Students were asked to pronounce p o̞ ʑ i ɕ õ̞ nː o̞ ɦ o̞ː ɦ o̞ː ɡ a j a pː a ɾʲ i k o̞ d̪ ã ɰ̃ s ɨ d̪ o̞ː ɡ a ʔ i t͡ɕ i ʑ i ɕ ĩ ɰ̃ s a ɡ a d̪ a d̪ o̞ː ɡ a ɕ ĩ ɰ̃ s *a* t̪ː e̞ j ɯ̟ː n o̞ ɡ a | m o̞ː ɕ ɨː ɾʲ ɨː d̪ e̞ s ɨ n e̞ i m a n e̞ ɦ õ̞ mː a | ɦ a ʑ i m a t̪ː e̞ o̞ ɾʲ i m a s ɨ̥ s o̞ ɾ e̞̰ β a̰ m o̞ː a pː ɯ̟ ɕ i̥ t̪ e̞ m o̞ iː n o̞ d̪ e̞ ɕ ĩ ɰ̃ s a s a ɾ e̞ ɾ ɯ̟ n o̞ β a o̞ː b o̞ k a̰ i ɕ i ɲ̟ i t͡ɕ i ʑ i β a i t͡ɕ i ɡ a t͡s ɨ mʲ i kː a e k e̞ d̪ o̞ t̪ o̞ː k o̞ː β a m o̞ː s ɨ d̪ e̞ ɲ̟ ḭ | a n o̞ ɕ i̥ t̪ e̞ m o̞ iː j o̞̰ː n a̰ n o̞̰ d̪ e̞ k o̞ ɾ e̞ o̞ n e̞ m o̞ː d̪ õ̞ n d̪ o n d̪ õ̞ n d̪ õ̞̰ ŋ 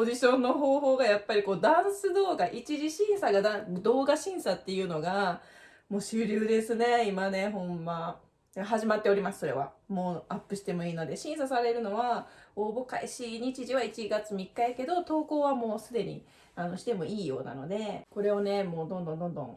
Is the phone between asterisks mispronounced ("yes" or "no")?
no